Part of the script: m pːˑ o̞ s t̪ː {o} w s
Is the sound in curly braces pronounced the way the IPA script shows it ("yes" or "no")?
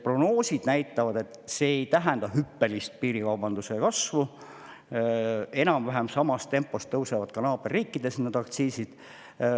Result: no